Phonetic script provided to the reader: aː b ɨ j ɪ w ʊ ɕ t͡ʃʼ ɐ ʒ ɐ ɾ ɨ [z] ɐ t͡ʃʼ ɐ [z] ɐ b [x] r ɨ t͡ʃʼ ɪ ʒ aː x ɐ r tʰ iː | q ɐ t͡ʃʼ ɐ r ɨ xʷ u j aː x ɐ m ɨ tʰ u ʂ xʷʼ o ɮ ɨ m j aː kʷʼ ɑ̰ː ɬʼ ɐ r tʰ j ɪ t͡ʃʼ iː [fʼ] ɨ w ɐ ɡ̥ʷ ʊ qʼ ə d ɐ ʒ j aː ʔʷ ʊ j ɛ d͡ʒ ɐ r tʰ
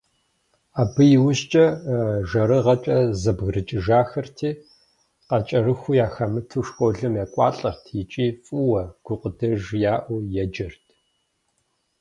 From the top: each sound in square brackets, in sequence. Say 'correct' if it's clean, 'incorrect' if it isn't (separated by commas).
incorrect, correct, incorrect, correct